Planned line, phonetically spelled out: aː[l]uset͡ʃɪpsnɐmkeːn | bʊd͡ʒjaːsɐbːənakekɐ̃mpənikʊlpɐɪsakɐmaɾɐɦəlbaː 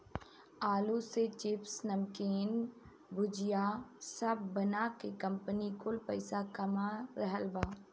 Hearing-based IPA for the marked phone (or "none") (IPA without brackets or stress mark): l